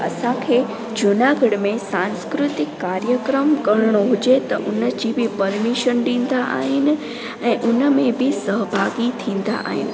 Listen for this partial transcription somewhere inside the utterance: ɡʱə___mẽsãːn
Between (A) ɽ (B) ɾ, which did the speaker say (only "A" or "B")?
A